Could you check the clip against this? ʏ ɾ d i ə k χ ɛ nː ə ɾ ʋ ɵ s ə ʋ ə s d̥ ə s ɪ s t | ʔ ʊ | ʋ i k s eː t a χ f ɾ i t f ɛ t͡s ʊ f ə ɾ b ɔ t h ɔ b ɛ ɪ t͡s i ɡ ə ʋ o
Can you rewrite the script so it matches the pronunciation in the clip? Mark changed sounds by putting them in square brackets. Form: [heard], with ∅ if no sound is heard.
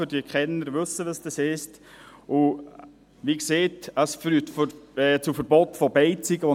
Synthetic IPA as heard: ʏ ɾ d i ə k χ ɛ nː ə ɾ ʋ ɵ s ə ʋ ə s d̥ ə s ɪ s t | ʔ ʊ | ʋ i k s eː t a [s] f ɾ [y] t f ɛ t͡s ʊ f ə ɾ b ɔ t [f] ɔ b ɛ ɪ t͡s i ɡ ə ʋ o

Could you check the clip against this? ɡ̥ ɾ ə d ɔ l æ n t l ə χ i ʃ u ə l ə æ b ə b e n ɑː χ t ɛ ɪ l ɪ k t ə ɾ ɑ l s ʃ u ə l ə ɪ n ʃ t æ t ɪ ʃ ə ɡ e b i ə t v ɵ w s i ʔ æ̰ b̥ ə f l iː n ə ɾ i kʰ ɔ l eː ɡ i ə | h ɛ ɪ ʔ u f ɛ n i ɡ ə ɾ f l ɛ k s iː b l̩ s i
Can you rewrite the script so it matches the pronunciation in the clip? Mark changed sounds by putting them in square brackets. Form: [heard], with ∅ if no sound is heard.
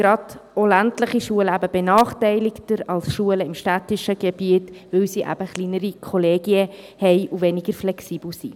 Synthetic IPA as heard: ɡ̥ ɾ [ɑ] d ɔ l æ n t l ə χ i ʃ u ə l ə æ b ə b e n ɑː χ t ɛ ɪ l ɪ k t ə ɾ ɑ l s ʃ u ə l ə ɪ [m] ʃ t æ t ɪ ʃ ə ɡ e b i ə t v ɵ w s i ʔ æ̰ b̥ ə [χ] l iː n ə ɾ i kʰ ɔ l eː ɡ i ə | h ɛ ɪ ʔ u [v] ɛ n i ɡ ə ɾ f l ɛ k s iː b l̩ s i

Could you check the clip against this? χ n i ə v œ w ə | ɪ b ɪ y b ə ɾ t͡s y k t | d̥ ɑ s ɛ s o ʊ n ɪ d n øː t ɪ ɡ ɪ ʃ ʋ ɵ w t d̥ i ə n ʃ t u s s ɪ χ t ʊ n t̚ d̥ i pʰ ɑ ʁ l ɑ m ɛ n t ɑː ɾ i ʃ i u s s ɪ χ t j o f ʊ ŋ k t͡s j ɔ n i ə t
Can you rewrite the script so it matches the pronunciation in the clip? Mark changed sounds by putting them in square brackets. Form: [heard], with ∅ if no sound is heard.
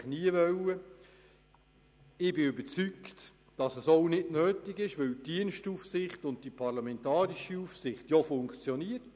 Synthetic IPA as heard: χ n i ə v œ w ə | ɪ b ɪ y b ə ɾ t͡s y k t | d̥ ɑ s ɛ s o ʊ n ɪ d n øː t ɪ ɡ ɪ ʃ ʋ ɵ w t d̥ i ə n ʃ t u [f] s ɪ χ t ʊ n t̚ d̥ i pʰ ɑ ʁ l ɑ m ɛ n t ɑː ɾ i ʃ i u [f] s ɪ χ t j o f ʊ ŋ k t͡s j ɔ n i ə t

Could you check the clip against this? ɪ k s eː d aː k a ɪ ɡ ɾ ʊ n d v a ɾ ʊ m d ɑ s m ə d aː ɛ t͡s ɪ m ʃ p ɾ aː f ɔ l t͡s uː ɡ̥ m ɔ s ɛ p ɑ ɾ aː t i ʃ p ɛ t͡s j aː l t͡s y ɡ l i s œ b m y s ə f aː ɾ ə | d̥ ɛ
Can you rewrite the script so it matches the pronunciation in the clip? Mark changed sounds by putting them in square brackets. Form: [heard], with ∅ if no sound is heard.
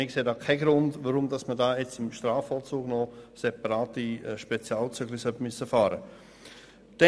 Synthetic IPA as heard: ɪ k s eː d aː [kʰ] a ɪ ɡ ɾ ʊ n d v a ɾ ʊ m d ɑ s m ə d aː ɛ t͡s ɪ m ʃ [t] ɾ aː f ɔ l t͡s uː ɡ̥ [n] ɔ s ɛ p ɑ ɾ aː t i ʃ p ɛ t͡s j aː l t͡s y ɡ l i s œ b m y s ə f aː ɾ ə | d̥ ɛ

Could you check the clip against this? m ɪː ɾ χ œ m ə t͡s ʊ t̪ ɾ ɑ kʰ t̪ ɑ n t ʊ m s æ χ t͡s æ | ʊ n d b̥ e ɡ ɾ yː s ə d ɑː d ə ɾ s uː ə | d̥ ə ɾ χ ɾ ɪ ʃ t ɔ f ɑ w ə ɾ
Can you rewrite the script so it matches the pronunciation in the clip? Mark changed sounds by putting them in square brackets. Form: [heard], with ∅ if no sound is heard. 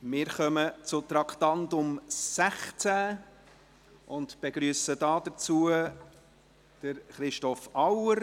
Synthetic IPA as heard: m ɪː ɾ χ œ m ə t͡s ʊ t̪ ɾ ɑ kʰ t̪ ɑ n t ʊ m s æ χ t͡s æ | ʊ n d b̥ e ɡ ɾ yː s ə d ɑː d ə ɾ [t͡s] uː ə | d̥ ə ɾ χ ɾ ɪ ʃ t ɔ f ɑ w ə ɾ

